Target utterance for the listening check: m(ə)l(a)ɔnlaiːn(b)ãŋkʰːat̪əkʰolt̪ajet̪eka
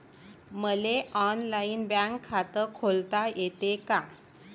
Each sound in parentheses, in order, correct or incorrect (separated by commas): correct, incorrect, correct